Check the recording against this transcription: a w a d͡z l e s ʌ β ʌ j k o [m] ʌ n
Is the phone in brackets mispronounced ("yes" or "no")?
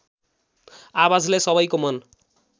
no